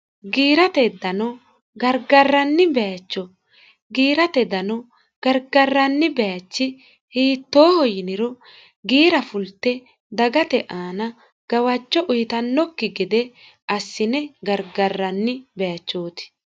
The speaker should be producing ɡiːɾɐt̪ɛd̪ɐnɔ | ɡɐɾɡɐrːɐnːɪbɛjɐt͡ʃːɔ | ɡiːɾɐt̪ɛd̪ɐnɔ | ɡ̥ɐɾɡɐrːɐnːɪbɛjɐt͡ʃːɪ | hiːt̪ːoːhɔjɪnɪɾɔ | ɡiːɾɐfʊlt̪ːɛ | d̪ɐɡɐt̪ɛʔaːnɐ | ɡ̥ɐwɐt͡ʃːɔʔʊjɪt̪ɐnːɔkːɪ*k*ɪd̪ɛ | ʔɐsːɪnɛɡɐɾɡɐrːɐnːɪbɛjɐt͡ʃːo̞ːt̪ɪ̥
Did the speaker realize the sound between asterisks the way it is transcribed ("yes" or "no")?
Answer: no